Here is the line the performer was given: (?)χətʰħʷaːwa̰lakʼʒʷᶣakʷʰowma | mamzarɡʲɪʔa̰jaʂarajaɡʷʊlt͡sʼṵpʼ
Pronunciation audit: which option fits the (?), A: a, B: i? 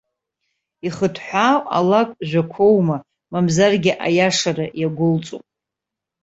B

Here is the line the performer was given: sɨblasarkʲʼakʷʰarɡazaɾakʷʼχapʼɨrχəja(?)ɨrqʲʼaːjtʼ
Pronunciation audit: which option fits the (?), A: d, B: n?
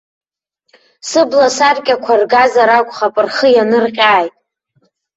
B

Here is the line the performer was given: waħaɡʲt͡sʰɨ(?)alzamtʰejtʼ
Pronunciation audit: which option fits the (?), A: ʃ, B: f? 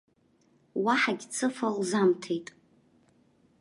B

